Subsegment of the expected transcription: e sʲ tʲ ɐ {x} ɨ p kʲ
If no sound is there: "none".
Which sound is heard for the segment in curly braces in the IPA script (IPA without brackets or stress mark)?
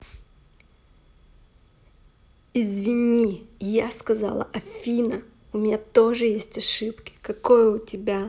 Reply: ʂ